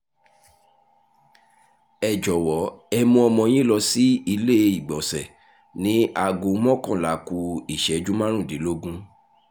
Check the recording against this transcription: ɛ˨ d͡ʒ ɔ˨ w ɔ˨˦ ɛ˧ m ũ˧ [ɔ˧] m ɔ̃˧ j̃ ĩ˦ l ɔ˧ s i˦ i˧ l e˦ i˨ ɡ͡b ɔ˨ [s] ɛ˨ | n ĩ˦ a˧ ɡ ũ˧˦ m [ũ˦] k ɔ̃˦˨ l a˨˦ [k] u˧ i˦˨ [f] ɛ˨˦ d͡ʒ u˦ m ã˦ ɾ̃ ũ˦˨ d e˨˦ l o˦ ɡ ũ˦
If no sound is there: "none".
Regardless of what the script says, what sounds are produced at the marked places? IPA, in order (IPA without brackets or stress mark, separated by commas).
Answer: ɔ˧, s, ɔ̃˦, k, ʃ